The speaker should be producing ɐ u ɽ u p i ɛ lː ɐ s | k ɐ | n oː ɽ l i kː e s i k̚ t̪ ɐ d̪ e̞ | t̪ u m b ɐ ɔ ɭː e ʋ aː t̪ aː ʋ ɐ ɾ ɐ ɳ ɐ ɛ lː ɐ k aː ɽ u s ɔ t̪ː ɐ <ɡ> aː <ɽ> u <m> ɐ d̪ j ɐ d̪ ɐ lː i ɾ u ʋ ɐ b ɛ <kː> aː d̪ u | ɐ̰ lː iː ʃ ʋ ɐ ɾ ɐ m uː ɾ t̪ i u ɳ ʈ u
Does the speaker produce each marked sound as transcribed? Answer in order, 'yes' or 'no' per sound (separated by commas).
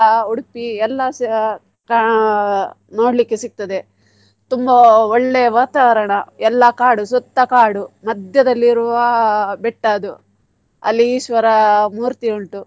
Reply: no, yes, yes, no